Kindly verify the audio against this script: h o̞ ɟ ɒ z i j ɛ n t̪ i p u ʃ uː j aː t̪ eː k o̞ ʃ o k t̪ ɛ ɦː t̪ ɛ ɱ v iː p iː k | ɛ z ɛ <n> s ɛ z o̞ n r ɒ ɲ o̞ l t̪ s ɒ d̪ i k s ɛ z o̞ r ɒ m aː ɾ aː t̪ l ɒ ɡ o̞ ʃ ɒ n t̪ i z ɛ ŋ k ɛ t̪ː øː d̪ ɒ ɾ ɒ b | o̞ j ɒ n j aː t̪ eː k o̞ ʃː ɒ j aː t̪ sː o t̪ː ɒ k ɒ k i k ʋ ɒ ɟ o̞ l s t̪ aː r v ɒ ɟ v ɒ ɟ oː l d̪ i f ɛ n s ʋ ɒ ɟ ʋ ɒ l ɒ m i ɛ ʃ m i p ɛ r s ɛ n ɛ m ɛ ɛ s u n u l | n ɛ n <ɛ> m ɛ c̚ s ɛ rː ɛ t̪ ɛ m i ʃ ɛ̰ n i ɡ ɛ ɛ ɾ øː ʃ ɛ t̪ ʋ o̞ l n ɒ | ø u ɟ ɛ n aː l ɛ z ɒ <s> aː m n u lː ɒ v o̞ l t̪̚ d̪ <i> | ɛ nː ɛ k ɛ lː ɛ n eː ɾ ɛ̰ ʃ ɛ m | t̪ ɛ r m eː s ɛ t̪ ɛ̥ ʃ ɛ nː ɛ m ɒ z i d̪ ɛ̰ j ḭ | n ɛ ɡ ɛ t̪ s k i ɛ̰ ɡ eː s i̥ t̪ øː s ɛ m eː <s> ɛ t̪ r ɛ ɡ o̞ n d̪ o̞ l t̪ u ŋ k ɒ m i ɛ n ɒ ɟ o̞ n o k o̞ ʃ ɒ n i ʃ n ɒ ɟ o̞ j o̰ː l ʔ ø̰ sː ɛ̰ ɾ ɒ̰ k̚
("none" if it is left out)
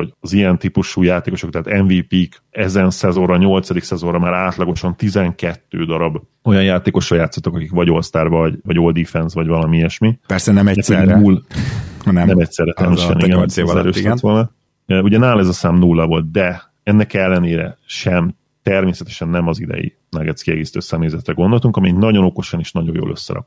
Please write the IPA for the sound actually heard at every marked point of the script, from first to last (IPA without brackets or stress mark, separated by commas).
n, ɛ, s, ɛ, z